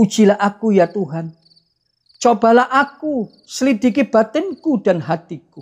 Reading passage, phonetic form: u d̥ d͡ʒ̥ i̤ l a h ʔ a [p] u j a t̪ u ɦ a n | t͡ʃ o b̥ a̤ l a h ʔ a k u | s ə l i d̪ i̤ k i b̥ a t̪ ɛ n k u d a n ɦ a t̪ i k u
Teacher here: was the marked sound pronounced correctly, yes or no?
no